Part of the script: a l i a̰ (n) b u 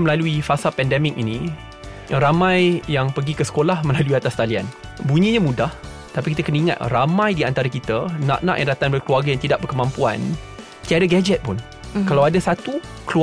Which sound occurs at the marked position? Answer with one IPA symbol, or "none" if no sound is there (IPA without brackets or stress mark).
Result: n